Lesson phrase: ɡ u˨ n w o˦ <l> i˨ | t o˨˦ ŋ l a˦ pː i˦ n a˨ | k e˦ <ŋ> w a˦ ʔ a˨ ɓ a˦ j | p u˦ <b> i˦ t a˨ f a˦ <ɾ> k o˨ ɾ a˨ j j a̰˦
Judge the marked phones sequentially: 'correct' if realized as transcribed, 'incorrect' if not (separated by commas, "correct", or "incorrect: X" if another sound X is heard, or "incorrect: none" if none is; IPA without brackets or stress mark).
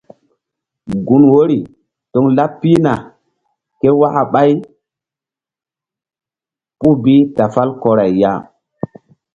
incorrect: ɾ, incorrect: none, correct, incorrect: l